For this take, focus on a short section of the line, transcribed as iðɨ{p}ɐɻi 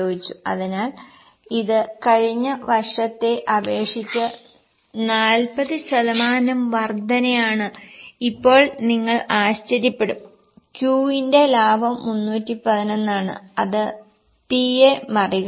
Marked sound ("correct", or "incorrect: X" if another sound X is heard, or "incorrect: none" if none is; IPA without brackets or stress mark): incorrect: k